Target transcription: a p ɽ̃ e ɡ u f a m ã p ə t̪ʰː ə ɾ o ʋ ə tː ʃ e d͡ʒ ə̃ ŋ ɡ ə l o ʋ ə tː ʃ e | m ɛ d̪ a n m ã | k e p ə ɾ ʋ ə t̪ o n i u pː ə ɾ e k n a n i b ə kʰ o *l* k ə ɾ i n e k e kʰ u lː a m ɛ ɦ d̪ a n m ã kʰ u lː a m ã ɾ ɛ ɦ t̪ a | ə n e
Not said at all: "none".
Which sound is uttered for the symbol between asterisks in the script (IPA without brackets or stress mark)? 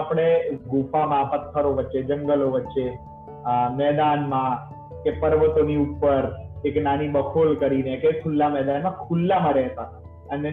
l